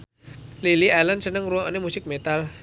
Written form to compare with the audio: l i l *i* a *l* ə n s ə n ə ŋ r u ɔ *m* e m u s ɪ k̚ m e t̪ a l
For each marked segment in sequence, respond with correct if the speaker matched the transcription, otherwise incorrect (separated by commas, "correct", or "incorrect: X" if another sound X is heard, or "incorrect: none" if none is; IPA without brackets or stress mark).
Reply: correct, correct, incorrect: n